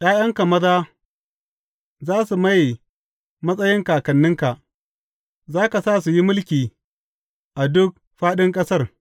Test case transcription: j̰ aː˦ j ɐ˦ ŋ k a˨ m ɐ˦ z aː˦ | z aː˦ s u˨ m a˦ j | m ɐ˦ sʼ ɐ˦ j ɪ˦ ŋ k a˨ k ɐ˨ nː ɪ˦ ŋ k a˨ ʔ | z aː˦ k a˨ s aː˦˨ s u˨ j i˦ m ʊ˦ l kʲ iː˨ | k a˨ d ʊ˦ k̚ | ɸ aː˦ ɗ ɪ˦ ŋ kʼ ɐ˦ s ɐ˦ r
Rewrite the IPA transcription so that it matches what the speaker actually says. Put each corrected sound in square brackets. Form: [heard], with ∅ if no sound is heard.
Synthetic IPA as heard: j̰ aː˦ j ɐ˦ ŋ k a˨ m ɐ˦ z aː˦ | z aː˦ s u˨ m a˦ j | m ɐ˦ sʼ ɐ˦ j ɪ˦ ŋ k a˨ k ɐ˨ nː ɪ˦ ŋ k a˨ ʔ | z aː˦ k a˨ s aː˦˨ s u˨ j i˦ m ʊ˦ l kʲ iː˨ | [ʔ] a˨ d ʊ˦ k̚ | ɸ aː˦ ɗ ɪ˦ ŋ kʼ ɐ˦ s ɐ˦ r